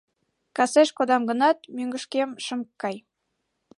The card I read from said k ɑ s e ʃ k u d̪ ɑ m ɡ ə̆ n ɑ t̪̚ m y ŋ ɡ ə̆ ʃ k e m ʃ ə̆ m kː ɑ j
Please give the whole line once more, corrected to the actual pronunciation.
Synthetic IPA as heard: k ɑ s e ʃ k o d̪ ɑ m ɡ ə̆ n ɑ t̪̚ m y ŋ ɡ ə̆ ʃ k e m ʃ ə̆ m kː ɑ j